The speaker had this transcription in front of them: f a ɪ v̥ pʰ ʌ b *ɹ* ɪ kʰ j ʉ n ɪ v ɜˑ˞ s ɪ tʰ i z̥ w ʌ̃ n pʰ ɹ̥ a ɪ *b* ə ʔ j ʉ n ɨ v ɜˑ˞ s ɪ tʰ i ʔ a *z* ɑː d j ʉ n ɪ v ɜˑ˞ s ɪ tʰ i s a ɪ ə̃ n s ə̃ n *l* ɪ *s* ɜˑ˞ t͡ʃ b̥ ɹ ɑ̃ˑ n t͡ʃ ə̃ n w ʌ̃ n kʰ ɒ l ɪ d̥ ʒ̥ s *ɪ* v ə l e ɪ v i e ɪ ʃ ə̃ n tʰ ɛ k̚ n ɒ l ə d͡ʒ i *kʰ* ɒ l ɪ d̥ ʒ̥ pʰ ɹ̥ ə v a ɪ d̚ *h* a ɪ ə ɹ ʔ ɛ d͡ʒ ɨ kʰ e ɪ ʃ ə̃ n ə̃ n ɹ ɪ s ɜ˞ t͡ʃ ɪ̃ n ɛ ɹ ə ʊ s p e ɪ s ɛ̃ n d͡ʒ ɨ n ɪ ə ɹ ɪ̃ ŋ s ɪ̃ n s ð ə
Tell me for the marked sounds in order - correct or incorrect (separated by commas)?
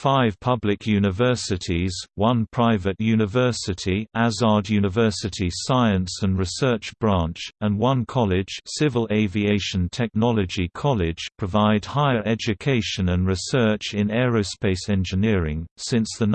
incorrect, incorrect, correct, incorrect, correct, correct, correct, correct